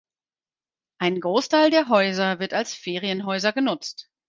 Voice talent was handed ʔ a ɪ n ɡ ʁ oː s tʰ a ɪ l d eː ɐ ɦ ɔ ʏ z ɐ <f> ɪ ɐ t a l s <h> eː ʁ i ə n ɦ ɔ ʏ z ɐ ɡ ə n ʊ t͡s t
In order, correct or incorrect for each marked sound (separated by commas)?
incorrect, incorrect